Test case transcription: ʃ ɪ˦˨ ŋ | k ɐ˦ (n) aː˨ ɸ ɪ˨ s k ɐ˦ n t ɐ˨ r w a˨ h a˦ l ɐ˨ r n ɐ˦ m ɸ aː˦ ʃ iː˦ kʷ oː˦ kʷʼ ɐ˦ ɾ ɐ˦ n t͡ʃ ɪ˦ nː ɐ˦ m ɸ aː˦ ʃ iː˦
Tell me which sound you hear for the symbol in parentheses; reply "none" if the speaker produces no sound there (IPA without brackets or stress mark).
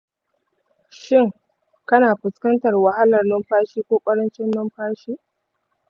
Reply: n